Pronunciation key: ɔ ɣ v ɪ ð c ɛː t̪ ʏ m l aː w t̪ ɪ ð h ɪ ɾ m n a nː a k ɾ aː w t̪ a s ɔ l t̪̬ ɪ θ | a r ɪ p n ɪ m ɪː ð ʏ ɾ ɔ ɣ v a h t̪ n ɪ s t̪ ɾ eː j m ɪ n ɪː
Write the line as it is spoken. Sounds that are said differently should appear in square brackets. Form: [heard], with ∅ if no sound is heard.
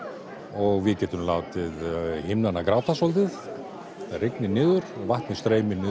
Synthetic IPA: ɔ ɣ v ɪ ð c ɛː t̪ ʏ m l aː w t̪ ɪ ð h ɪ [∅] m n a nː a k ɾ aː w t̪ a s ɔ l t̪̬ ɪ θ | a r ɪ [k] n ɪ [n] ɪː ð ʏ ɾ ɔ ɣ v a h t̪ n ɪ s t̪ ɾ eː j m ɪ n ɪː